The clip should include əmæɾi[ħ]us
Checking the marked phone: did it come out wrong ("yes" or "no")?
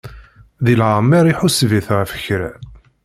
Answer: no